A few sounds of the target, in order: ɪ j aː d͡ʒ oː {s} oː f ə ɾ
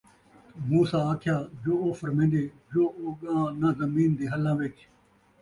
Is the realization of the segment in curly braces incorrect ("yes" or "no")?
yes